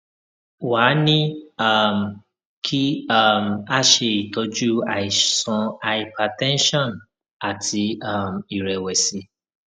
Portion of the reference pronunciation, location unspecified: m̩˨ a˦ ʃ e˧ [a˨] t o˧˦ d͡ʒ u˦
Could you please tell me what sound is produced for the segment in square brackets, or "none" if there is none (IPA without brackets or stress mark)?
i˨